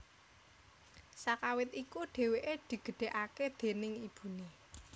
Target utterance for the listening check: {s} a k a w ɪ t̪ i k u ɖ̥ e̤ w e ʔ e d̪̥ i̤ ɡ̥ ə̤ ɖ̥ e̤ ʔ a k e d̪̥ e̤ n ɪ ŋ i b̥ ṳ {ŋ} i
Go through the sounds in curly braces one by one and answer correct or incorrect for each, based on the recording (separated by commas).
correct, incorrect